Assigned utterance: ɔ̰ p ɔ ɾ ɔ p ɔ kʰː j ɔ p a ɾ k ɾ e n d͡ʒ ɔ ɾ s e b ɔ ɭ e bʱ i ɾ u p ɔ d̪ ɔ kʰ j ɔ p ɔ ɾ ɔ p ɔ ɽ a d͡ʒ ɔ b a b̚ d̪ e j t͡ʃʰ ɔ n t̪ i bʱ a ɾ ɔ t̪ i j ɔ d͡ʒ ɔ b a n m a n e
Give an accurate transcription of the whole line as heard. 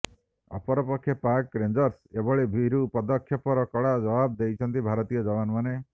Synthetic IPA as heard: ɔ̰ p ɔ ɾ ɔ p ɔ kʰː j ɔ p a ɾ k ɾ e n d͡ʒ ɔ ɾ s e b ɔ ɭ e bʱ i ɾ u p ɔ d̪ ɔ kʰ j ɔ p ɔ ɾ ɔ k ɔ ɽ a d͡ʒ ɔ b a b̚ d̪ e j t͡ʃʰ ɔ n t̪ i bʱ a ɾ ɔ t̪ i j ɔ d͡ʒ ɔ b a n m a n e

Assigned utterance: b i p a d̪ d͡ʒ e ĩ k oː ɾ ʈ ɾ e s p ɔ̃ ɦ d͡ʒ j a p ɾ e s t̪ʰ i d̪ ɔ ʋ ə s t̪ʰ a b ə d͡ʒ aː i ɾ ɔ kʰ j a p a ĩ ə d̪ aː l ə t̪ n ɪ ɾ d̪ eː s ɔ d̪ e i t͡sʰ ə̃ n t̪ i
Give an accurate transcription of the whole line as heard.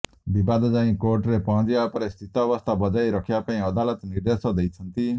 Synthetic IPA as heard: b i b a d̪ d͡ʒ a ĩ k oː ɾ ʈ ɾ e p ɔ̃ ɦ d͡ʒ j a p ɾ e s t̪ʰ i t̪ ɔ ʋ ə s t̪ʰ a b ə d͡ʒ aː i ɾ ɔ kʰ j a p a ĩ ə d̪ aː l ə t̪ n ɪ ɾ d̪ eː s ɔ d̪ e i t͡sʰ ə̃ n t̪ i

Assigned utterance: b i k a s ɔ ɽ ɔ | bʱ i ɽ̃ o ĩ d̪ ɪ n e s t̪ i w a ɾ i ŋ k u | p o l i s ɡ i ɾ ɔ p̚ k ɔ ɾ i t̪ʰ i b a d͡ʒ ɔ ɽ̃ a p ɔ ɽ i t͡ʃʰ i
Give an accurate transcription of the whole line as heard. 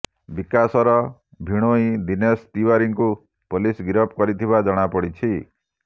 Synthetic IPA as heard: b i k a s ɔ ɾ ɔ | bʱ i ɽ̃ o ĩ d̪ i n e s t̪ i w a ɾ i ŋ k u | p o l i s ɡ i ɾ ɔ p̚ k ɔ ɾ i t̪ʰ i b a d͡ʒ ɔ ɽ̃ a p ɔ ɽ i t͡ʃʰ i

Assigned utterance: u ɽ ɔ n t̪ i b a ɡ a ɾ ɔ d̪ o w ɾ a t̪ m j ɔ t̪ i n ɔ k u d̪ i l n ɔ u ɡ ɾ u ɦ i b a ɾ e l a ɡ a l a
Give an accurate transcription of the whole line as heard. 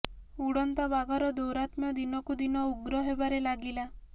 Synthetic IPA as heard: u ɽ ɔ n t̪ a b a ɡ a ɾ ɔ d̪ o w ɾ a t̪ m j ɔ d̪ i n ɔ k u d̪ i n ɔ u ɡ ɾ ɔ ɦ e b a ɾ e l a ɡ i l a

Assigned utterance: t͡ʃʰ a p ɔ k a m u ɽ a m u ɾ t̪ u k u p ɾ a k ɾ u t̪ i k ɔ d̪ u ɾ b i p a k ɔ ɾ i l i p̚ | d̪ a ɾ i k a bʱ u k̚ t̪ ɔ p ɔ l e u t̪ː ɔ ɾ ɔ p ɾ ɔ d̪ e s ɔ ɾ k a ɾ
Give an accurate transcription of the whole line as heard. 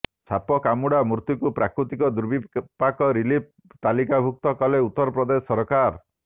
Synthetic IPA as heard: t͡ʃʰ a p ɔ k a m u ɽ a m u ɾ t̪ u k u p ɾ a k ɾ u t̪ i k ɔ d̪ u ɾ b i p a k ɔ ɾ i l i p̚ | t̪ a l i k a bʱ u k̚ t̪ ɔ k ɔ l e u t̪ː ɔ ɾ ɔ p ɾ ɔ d̪ e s ɔ ɾ k a ɾ

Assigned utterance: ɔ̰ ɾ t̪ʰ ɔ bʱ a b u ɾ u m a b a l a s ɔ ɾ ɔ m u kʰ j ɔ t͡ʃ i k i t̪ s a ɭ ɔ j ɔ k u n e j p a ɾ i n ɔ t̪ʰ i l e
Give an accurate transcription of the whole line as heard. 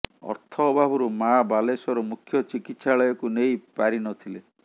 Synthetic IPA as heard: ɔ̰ ɾ t̪ʰ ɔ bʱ a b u ɾ u m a b a l e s ɔ ɾ ɔ m u kʰ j ɔ t͡ʃ i k i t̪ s a ɭ ɔ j ɔ k u n e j p a ɾ i n ɔ t̪ʰ i l e

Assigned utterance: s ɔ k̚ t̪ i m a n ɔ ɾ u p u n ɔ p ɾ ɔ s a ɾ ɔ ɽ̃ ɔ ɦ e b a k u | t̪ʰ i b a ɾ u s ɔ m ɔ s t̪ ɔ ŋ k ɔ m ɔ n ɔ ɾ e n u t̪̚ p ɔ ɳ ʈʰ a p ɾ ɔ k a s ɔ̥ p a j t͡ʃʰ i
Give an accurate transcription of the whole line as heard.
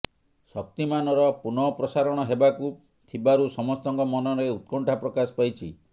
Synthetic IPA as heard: s ɔ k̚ t̪ i m a n ɔ ɾ ɔ p u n ɔ p ɾ ɔ s a ɾ ɔ ɽ̃ ɔ ɦ e b a k u | t̪ʰ i b a ɾ u s ɔ m ɔ s t̪ ɔ ŋ k ɔ m ɔ n ɔ ɾ e u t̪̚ k ɔ ɳ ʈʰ a p ɾ ɔ k a s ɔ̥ p a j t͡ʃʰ i

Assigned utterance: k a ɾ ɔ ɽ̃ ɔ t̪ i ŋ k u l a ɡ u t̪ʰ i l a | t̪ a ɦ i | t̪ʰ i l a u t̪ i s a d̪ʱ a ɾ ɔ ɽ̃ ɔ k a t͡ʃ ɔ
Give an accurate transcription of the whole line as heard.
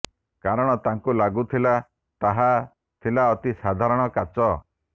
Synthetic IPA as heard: k a ɾ ɔ ɽ̃ ɔ t̪ a ŋ k u l a ɡ u t̪ʰ i l a | t̪ a ɦ a | t̪ʰ i l a ɔ t̪ i s a d̪ʱ a ɾ ɔ ɽ̃ ɔ k a t͡ʃ ɔ

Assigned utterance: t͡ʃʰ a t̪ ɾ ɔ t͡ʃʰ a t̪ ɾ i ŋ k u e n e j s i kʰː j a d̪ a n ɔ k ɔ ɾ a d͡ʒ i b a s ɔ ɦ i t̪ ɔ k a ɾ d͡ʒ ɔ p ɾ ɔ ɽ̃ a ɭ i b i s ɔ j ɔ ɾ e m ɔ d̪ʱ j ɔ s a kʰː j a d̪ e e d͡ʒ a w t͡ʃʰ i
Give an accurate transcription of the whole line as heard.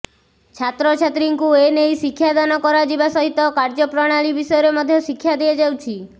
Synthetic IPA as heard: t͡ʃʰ a t̪ ɾ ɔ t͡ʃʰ a t̪ ɾ i ŋ k u e n e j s i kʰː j a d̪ a n ɔ k ɔ ɾ a d͡ʒ i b a s ɔ ɦ i t̪ ɔ k a ɾ d͡ʒ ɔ p ɾ ɔ ɽ̃ a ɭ i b i s ɔ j ɔ ɾ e m ɔ d̪ʱ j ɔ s i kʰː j a d̪ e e d͡ʒ a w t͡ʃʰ i

